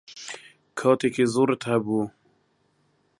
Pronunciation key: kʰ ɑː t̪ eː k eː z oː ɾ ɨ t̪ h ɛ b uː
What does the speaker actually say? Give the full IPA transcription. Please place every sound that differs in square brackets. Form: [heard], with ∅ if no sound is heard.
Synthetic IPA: kʰ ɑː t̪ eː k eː z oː ɾ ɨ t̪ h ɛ b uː